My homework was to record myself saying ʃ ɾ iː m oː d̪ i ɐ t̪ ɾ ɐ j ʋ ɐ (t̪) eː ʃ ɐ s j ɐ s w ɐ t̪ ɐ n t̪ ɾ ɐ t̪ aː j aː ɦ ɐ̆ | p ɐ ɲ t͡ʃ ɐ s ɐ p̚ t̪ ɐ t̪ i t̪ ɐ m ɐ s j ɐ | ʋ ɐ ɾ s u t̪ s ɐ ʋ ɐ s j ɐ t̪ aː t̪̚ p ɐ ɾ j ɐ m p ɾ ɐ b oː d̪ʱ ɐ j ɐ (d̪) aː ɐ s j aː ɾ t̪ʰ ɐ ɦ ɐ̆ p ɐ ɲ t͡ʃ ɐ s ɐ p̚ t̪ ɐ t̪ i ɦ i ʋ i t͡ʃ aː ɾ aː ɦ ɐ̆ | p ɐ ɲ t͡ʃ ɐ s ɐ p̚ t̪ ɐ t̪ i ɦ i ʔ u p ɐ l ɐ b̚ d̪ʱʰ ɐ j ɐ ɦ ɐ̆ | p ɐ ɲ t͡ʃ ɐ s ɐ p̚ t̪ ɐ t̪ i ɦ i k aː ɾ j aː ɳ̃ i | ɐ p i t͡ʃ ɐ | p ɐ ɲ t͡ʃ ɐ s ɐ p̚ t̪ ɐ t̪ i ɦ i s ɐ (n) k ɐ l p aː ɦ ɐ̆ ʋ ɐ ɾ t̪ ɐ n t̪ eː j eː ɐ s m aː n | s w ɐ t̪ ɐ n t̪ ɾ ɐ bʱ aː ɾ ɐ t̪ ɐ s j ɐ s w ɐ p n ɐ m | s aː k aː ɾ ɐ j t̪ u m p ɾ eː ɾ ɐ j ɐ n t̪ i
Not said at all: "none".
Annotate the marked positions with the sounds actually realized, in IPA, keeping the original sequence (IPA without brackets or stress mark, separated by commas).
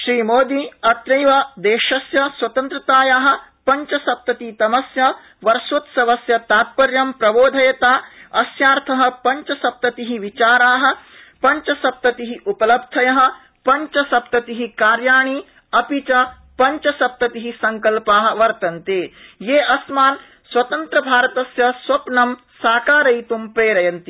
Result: d̪, t̪, ŋ